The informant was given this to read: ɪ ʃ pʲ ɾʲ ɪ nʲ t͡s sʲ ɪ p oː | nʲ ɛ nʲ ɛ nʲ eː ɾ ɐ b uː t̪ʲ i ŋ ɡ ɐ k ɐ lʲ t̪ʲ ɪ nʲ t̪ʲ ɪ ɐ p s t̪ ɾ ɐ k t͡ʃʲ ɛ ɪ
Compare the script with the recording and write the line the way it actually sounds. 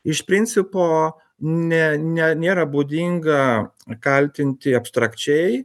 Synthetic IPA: ɪ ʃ pʲ ɾʲ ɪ nʲ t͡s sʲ ɪ p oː | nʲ ɛ nʲ ɛ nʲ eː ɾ ɐ b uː d̪ʲ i ŋ ɡ ɐ k ɐ lʲ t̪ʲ ɪ nʲ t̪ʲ ɪ ɐ p s t̪ ɾ ɐ k t͡ʃʲ ɛ ɪ